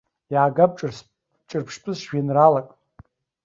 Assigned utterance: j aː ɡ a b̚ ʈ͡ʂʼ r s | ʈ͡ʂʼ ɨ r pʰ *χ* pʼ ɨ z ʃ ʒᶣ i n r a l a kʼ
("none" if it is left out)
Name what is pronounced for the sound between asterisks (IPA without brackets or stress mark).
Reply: ʂ